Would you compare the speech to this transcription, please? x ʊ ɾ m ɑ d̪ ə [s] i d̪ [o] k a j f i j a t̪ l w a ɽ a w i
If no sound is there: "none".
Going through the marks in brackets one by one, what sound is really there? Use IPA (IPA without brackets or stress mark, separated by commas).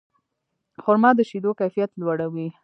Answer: ʃ, o